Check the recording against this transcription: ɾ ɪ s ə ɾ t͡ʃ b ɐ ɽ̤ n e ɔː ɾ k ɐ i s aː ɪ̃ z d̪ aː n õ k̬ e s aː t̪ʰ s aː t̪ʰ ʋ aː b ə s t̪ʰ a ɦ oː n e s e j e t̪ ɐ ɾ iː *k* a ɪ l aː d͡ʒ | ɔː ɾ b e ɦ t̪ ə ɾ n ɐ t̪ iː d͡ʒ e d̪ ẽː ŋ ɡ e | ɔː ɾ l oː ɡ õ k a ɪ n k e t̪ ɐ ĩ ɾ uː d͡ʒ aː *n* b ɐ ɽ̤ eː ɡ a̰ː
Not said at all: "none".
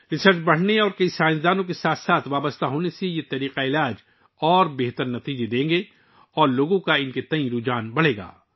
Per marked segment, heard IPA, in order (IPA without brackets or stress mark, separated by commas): q, n